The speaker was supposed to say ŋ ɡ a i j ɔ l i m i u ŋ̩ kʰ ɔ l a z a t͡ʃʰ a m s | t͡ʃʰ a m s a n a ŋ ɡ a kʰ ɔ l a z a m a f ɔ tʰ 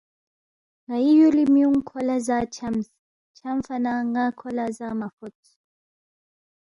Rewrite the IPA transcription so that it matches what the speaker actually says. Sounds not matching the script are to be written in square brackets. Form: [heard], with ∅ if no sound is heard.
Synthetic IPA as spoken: ŋ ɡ a i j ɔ l i m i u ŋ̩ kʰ ɔ l a z a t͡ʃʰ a m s | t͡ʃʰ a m [f] a n a ŋ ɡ a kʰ ɔ l a z a m a f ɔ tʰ